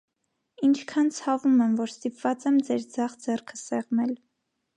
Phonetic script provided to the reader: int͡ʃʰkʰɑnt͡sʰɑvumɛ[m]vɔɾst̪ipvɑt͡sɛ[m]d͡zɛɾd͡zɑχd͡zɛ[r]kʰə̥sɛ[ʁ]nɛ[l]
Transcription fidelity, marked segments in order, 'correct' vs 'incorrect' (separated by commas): correct, correct, correct, correct, correct